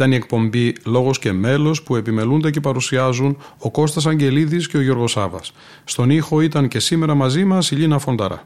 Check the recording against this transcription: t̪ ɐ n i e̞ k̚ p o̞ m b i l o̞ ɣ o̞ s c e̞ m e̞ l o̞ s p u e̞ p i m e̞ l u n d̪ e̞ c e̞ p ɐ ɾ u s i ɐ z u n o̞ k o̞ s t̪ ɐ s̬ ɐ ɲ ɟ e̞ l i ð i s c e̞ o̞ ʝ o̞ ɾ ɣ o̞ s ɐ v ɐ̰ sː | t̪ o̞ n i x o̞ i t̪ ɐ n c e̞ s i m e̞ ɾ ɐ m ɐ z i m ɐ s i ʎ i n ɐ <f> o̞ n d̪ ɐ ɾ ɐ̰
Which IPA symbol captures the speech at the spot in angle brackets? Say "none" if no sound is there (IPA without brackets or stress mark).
f